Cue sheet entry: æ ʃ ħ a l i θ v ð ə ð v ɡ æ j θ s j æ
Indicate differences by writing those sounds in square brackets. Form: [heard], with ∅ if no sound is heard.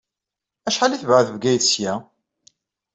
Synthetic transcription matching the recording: æ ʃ ħ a l i θ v [ʕ] ə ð v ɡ æ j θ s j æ